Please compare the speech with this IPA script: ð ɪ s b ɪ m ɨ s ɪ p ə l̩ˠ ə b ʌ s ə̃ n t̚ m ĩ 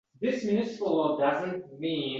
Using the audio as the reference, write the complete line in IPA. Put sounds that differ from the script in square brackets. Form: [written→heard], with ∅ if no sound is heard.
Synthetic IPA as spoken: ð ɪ s [b→m] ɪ [m→n] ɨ s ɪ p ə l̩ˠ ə [b→d] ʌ [s→z] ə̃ n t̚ m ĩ